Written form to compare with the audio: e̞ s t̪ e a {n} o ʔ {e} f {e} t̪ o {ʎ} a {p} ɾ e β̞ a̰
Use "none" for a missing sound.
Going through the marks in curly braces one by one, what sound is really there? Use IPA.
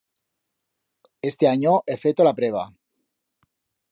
ɲ, e, e, l, p

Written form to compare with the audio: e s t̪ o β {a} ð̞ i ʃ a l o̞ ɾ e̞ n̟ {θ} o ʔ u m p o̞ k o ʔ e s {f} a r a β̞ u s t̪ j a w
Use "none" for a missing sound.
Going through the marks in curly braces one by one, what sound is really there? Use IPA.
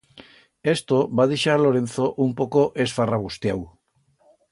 a, θ, f

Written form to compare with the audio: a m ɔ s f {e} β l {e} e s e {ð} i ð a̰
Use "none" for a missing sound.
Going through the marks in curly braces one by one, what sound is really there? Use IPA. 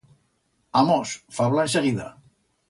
a, a, ɣ

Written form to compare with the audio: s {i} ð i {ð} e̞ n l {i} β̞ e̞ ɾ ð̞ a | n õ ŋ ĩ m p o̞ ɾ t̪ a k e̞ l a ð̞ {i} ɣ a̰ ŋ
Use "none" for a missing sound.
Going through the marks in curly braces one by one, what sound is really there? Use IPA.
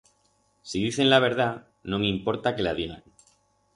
i, θ, a, i

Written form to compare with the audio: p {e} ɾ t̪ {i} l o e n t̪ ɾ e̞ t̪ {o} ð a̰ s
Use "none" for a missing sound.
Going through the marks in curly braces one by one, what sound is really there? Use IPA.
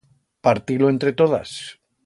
a, i, o

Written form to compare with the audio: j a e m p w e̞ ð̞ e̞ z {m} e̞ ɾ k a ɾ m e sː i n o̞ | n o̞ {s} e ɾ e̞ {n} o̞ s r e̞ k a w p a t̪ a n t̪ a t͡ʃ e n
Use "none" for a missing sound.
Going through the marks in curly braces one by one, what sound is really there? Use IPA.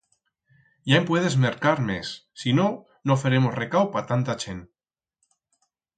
m, f, m

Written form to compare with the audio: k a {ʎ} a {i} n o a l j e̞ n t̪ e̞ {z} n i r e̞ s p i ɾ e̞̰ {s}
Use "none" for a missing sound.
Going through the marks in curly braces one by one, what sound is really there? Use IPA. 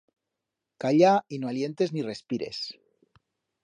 ʎ, i, z, s

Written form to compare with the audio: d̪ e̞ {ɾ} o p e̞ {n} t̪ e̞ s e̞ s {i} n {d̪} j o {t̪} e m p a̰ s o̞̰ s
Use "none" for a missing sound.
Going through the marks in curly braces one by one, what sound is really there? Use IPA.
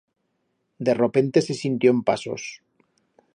r, n, i, t̪, none

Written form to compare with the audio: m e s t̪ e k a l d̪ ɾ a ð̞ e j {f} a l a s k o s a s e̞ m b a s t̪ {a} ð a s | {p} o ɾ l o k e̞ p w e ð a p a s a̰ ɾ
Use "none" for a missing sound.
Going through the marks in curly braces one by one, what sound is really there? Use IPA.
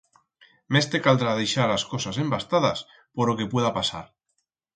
ʃ, a, p

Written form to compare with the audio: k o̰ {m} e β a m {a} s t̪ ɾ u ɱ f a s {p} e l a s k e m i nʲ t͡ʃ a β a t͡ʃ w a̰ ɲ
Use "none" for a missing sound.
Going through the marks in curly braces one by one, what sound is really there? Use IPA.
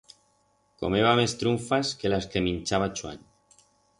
m, e, k

